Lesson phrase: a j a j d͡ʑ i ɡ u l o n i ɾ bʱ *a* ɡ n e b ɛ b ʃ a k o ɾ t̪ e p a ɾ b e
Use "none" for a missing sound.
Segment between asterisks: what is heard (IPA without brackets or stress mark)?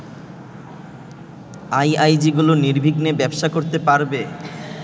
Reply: i